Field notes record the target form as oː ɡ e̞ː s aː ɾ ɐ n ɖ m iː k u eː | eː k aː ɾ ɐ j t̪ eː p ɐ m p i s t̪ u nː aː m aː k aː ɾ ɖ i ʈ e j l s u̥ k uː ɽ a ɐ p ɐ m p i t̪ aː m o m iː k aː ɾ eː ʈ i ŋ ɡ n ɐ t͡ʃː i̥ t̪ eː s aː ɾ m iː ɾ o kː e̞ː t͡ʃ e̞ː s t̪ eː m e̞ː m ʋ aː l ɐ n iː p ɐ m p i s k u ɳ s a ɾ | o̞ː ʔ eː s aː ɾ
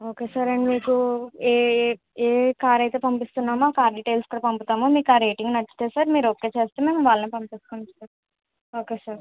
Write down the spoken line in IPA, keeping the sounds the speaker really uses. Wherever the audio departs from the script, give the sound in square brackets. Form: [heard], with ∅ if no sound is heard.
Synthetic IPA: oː [k] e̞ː s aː ɾ ɐ [ɳ] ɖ m iː k u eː | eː k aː ɾ ɐ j t̪ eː p ɐ m p i s t̪ u nː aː m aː k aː ɾ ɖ i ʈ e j l s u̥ k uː ɽ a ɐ p ɐ m p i t̪ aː m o m iː k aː ɾ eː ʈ i ŋ ɡ n ɐ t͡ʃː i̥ t̪ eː s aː ɾ m iː ɾ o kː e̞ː t͡ʃ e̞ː s t̪ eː m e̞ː m ʋ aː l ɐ n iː p ɐ m p i s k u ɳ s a ɾ | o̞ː [k] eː s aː ɾ